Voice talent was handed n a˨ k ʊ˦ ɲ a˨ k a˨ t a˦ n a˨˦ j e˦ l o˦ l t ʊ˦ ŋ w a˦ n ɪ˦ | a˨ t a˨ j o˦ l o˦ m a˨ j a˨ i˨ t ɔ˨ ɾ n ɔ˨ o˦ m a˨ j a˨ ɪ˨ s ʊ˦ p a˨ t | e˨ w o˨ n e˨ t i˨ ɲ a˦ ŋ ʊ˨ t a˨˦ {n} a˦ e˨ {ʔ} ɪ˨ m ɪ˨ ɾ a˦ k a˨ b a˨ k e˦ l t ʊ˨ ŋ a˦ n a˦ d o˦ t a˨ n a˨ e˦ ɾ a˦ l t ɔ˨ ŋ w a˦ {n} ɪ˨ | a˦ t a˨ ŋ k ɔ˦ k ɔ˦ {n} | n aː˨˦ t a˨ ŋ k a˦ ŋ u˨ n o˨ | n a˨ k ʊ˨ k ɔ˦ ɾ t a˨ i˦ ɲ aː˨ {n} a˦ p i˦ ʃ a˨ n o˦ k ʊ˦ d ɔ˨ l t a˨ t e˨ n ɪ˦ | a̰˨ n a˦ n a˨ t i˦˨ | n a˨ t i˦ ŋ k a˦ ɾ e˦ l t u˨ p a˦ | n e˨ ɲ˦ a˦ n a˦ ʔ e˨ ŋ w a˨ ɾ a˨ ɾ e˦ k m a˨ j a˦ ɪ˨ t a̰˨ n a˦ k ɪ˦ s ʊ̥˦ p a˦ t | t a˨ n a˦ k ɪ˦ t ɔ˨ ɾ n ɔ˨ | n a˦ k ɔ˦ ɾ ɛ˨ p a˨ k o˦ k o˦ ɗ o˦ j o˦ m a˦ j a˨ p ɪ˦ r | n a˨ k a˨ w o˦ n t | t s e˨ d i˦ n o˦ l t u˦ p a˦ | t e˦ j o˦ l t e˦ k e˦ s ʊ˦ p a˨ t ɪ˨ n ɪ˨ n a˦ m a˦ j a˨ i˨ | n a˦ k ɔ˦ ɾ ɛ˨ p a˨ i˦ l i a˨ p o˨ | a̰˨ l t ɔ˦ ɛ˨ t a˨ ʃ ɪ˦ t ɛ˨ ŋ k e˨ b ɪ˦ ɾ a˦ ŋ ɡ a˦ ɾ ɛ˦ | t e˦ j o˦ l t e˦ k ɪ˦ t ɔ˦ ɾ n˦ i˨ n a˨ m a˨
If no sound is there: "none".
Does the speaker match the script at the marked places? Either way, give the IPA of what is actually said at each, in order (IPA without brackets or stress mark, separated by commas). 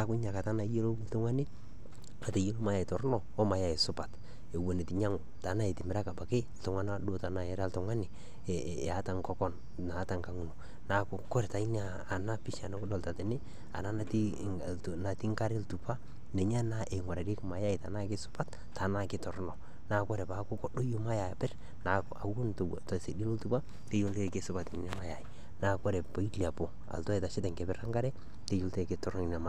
n, t, n, n, n